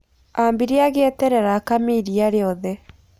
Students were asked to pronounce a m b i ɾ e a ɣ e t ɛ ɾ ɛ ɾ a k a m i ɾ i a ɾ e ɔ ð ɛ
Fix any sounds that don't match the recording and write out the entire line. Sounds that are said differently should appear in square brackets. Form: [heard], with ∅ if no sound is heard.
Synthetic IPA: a m b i ɾ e a ɣ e t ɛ ɾ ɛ ɾ a k a m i ɾ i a ɾ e ɔ ð ɛ